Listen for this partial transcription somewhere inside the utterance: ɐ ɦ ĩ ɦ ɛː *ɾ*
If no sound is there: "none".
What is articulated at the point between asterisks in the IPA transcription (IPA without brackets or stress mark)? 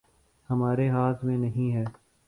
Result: none